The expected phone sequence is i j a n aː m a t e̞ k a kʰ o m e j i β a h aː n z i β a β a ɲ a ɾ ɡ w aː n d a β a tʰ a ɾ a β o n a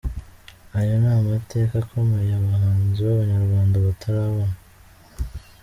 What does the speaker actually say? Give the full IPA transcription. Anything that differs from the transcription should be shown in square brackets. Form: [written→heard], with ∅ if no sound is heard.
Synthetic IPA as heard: [i→a] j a n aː m a t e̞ k a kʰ o m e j [i→a] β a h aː n z i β a β a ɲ a ɾ ɡ w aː n d a β a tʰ a ɾ a β o n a

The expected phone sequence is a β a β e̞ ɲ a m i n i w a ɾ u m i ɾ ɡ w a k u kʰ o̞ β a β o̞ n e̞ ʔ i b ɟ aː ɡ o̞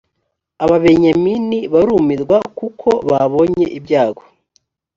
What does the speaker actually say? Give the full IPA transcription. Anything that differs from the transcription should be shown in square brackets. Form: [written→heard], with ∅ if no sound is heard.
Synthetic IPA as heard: a β a β e̞ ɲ a m i n i [w→β] a ɾ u m i ɾ ɡ w a k u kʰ o̞ β a β o̞ [n→ɲ] e̞ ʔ i b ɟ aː ɡ o̞

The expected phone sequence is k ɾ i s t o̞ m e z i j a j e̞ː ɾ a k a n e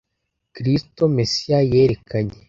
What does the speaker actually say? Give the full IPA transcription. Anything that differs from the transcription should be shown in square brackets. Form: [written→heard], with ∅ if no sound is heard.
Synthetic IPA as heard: k ɾ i s t o̞ m e [z→s] i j a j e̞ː ɾ [a→e] k a [n→ɲ] e

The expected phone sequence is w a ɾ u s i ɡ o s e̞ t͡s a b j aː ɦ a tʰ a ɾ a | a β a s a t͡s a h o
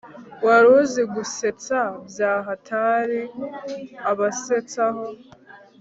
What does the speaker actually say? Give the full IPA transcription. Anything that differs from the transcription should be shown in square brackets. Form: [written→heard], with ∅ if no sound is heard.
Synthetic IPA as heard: w a ɾ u [s→z] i ɡ [o→u] s e̞ t͡s a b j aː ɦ a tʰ a ɾ [a→i] | a β a s [a→e] t͡s a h o

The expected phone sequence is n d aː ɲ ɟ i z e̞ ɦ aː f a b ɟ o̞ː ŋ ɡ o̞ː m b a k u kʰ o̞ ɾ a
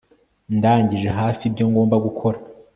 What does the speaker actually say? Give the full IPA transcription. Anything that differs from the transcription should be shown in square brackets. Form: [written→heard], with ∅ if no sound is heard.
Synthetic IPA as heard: n d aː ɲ ɟ i [z→ʒ] e̞ ɦ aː f [a→i] b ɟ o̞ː ŋ ɡ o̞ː m b a [k→ɡ] u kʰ o̞ ɾ a

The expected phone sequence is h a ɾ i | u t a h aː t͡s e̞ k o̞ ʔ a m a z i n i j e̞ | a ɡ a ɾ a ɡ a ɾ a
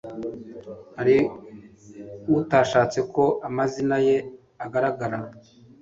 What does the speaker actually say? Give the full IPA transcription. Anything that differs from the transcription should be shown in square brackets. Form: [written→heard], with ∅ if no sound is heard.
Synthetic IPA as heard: h a ɾ i | u t a [h→ʃ] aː t͡s e̞ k o̞ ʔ a m a z i n [i→a] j e̞ | a ɡ a ɾ a ɡ a ɾ a

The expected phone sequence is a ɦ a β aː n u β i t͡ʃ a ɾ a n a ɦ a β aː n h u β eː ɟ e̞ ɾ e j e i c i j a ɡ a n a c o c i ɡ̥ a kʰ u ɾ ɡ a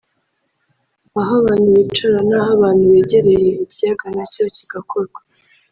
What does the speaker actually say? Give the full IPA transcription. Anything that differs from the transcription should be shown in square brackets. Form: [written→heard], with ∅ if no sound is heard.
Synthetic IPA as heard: a ɦ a β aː n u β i t͡ʃ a ɾ a n a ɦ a β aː n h u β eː ɟ e̞ ɾ e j e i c i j a ɡ a n a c o c i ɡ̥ a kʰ [u→o] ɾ ɡ a

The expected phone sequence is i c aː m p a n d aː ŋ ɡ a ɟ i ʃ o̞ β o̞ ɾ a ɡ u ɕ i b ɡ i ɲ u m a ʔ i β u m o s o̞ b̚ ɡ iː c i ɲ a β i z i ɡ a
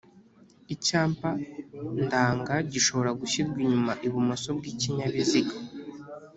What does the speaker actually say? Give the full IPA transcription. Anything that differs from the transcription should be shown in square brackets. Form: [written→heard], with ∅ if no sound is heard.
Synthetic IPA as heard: i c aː m p a n d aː ŋ ɡ a ɟ i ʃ o̞ β o̞ ɾ a ɡ u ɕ i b ɡ i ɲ u m a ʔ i β u m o s o̞ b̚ ɡ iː c i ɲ a β i z i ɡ a

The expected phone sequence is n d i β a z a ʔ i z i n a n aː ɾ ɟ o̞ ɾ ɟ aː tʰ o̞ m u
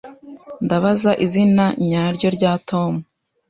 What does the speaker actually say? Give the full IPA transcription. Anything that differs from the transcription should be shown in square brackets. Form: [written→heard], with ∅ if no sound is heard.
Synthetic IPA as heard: n d [i→a] β a z a ʔ i z i n a [n→ɲ] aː ɾ ɟ o̞ ɾ ɟ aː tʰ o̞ m u

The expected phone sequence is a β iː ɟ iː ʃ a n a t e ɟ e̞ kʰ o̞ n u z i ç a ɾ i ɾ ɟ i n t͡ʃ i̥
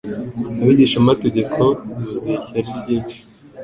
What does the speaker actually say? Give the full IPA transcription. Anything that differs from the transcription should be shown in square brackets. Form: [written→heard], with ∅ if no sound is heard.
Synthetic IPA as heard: a β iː ɟ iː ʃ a [n→m] a t e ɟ e̞ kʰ o̞ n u z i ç a ɾ i ɾ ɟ [i→iː] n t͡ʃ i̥

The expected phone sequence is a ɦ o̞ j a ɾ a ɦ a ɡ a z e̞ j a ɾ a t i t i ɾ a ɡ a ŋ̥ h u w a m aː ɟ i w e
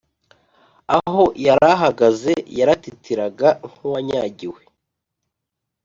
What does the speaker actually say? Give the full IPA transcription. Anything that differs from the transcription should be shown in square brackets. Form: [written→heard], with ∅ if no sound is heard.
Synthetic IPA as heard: a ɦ o̞ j a ɾ a ɦ a ɡ a z e̞ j a ɾ a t i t i ɾ a ɡ a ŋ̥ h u w a [m→ɲ] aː ɟ i w e

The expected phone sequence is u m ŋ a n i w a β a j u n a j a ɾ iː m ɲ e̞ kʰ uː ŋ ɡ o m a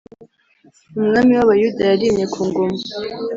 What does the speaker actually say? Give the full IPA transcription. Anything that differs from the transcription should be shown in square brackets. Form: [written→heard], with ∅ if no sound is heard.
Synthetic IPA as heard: u m ŋ a [n→m] i w a β a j u [n→d] a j a ɾ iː m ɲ e̞ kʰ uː ŋ ɡ o m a

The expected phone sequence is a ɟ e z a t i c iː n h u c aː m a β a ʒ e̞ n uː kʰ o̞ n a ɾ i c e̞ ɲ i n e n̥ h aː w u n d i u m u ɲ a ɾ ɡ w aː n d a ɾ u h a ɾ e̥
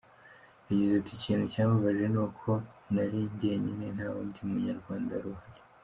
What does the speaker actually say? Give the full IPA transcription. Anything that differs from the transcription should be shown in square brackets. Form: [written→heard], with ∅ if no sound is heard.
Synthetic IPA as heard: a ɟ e z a t i c iː n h u c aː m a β a ʒ e̞ n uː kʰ o̞ n a ɾ i [c→ɟ] e̞ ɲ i n e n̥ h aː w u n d i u m u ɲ a ɾ ɡ w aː n d a ɾ u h a ɾ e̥

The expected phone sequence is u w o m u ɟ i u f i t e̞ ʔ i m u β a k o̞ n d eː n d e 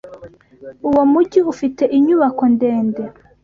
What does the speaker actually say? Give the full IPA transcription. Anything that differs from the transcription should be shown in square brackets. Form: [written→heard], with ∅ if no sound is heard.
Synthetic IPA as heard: u w o m u ɟ i u f i t e̞ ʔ i [m→ɲ] u β a k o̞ n d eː n d e

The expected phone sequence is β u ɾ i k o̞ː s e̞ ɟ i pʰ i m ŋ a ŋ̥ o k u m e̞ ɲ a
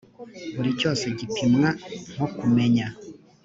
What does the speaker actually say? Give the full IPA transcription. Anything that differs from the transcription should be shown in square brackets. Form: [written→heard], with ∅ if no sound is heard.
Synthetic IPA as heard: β u ɾ i [k→c] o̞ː s e̞ ɟ i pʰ i m ŋ a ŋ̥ o k u m e̞ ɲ a

